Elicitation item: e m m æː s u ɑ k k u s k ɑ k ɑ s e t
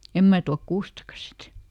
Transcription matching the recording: e m m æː t u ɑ k k uː s t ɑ k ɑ s i t

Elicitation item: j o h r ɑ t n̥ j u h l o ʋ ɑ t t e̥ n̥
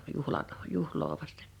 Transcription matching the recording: j u h l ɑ n̥ j u h l oː ʋ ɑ s t e̥ n̥

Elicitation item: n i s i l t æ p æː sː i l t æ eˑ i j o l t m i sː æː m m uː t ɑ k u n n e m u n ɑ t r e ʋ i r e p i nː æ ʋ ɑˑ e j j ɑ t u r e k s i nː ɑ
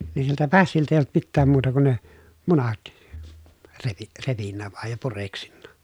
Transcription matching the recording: n i s i l t æ p æ sː i l t æ eˑ i j o l t m i tː æː m m uː t ɑ k u n n e m u n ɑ t r e ʋ i r e p i nː æ ʋ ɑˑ e j j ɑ p u r e k s i nː ɑ

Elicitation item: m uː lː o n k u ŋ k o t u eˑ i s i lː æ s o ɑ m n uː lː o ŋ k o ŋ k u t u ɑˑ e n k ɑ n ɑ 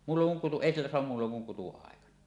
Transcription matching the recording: m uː lː o ŋ k u ŋ k u t u eˑ i s i lː æ s o ɑ m m uː lː o ŋ k u ŋ k u t u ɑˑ e k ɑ n ɑ

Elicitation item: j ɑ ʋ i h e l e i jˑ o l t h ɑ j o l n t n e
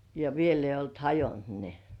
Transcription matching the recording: j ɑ ʋ i e l e i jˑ o l t h ɑ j o n t n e

